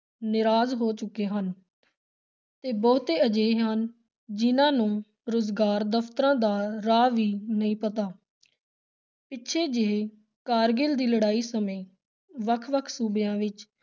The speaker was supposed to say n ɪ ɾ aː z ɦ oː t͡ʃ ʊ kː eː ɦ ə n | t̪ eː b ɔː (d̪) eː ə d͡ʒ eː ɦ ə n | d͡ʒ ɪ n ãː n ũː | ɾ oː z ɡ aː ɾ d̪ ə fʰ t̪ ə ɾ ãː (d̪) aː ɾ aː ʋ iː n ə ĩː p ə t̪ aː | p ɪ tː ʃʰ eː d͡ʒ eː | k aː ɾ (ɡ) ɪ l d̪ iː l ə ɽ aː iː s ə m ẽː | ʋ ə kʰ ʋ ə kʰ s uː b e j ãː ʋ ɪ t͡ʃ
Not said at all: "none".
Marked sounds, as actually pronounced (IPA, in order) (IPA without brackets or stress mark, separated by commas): t̪, d̪, ɡ